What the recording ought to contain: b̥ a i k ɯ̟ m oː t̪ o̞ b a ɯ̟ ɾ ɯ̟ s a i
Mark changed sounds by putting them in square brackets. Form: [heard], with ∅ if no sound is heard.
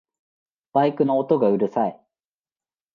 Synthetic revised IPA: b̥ a i k ɯ̟ [n] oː t̪ o̞ [ɡ] a ɯ̟ ɾ ɯ̟ s a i